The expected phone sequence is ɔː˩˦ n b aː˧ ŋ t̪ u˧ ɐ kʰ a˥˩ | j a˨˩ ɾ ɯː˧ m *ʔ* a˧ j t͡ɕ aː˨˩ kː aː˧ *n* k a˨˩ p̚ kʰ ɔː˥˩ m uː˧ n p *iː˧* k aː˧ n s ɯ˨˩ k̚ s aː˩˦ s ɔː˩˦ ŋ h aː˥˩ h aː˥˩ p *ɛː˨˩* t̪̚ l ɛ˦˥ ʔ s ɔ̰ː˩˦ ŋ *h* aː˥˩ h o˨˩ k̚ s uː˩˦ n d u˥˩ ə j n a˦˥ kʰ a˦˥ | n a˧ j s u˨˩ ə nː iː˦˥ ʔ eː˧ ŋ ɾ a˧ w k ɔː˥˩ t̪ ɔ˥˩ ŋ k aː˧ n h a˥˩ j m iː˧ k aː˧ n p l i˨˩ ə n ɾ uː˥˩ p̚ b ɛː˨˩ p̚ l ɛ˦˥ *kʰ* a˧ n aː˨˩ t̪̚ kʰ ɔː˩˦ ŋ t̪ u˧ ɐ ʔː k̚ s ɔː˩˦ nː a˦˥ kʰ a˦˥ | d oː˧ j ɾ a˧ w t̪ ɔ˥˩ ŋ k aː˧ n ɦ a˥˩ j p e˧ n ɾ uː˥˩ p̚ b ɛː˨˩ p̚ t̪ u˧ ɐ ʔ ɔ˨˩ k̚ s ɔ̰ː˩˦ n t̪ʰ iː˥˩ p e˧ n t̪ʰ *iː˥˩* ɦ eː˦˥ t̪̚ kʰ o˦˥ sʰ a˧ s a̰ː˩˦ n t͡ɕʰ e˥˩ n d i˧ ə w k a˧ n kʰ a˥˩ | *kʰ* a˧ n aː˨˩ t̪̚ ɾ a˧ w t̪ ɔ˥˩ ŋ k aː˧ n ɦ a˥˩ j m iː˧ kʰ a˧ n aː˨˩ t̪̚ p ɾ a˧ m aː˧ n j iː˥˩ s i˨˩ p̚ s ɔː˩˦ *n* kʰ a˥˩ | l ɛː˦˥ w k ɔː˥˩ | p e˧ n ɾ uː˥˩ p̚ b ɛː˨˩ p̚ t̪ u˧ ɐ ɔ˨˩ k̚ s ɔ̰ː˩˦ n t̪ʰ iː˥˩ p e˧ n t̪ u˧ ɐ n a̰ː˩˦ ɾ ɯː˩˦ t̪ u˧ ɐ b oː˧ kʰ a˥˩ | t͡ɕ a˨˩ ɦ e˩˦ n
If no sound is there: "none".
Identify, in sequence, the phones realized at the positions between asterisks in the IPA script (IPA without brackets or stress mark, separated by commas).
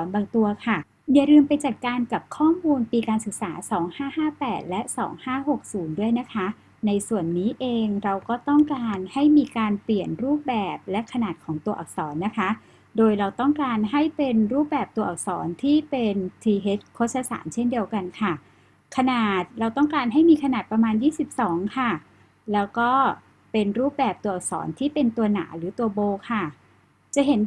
p, n, iː˧, ɛː˨˩, h, kʰ, iː˧, kʰ, ŋ